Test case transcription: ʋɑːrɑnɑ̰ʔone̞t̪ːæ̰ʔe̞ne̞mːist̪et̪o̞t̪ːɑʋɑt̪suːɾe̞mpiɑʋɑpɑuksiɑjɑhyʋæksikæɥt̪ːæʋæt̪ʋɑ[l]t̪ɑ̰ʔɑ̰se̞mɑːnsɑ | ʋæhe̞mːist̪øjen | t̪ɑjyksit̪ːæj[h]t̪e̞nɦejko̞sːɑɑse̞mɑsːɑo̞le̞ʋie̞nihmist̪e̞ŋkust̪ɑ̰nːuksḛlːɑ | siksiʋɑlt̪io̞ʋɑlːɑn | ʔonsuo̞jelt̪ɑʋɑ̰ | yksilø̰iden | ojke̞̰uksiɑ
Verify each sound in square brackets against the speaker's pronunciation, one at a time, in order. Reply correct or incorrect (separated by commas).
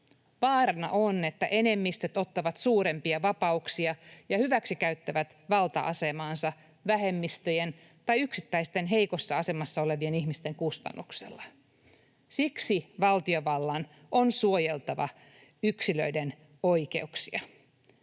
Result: correct, incorrect